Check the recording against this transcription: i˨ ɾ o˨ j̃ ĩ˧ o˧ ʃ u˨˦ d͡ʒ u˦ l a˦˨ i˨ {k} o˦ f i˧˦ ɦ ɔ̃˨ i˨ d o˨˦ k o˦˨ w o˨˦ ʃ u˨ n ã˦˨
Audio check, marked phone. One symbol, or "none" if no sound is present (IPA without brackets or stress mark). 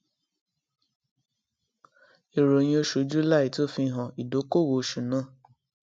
t